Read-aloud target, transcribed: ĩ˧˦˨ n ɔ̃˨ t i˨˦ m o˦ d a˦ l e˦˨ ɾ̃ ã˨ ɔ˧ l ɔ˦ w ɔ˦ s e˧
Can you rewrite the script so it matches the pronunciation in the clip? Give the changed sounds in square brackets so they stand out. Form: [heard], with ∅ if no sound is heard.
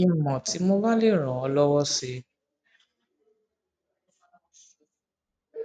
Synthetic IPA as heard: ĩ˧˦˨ [m] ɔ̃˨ t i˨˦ m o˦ [b] a˦ l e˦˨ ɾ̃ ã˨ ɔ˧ l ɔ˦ w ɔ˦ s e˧